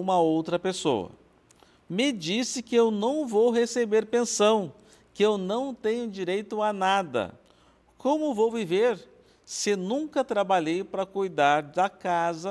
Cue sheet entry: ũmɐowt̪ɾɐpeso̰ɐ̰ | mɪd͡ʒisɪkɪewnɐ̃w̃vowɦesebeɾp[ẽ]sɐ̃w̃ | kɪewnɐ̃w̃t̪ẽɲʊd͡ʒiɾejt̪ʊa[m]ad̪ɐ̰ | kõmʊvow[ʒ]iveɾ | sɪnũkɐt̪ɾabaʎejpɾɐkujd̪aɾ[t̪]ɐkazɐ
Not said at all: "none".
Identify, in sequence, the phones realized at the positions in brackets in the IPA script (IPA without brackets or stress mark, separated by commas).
ẽ, n, v, d̪